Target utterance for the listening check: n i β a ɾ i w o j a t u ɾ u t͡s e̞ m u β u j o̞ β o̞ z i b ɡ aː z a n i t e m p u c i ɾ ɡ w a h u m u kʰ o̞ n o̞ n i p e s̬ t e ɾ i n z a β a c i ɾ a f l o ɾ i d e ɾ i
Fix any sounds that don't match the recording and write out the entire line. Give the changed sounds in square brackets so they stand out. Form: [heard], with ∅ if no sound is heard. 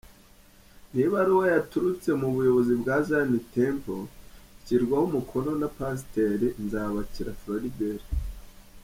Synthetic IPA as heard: n i β a ɾ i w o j a t u ɾ u t͡s e̞ m u β u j o̞ β o̞ z i b ɡ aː z a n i t e m p [o] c i ɾ ɡ w a h u m u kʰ o̞ n o̞ n [a] p [a] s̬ t e ɾ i n z a β a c i ɾ a f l o ɾ i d e ɾ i